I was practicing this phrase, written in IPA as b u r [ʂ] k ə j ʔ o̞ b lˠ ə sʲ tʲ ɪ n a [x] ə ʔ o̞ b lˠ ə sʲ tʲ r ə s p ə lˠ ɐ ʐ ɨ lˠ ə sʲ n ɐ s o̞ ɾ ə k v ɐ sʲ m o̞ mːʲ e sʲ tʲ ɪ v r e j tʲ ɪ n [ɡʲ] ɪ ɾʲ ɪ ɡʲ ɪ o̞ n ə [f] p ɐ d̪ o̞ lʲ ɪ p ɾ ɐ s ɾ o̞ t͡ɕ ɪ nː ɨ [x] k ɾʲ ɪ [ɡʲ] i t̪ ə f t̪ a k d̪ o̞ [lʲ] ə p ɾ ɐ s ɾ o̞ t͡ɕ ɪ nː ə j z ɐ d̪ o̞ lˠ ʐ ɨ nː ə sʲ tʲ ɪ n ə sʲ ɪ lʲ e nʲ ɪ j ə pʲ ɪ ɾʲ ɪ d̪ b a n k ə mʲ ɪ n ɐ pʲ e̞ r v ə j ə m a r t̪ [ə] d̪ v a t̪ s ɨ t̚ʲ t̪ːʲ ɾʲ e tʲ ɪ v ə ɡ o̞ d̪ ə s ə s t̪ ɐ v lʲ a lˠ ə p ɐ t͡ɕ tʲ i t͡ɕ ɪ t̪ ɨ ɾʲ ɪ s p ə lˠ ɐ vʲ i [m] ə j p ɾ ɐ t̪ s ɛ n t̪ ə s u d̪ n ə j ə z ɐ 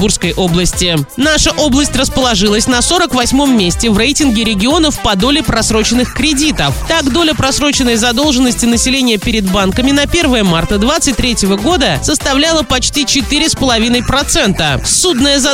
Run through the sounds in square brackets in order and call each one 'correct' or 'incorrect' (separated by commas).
incorrect, incorrect, correct, correct, correct, incorrect, correct, correct, incorrect